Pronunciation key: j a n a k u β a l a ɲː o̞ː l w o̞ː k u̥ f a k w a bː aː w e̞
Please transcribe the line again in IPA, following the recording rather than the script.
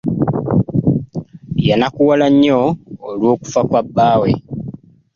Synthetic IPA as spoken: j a n a k u w a l a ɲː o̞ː l w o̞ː k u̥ f a k w a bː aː w e̞